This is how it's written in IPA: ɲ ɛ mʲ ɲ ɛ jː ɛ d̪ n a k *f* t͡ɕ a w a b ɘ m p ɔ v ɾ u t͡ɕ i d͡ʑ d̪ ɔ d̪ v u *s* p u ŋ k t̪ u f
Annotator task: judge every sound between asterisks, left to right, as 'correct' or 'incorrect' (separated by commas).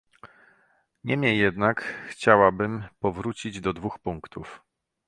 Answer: incorrect, incorrect